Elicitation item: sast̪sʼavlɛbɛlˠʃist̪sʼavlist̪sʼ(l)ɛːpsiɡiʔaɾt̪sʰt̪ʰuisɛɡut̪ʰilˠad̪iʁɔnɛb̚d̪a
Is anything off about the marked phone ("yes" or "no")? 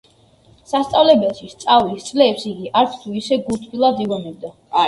no